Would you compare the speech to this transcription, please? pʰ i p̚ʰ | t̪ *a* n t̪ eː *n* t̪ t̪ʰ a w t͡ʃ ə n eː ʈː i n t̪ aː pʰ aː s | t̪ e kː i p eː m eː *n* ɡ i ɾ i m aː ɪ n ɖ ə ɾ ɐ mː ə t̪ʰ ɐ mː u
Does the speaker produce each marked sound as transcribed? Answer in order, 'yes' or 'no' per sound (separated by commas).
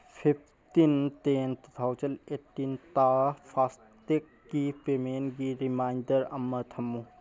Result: no, yes, yes